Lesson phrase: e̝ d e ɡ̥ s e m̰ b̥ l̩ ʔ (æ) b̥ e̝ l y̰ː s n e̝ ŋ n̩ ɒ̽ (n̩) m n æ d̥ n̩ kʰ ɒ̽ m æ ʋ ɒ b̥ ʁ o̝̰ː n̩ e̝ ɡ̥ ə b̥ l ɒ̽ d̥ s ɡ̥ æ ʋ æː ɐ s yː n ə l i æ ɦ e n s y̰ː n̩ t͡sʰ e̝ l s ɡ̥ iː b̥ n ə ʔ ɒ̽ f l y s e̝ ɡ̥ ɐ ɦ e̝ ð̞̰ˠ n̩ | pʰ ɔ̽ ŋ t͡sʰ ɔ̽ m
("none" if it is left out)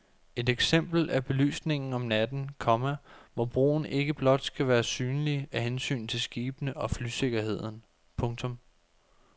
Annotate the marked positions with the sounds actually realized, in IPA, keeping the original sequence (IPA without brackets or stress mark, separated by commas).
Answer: æ, none